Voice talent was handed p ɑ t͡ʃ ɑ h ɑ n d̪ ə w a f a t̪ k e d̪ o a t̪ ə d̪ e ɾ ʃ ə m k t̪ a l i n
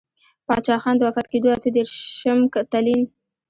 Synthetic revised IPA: p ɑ t͡ʃ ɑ x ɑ n d̪ ə w a f a t̪ k e d̪ o a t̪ ə d̪ e ɾ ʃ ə m k t̪ a l i n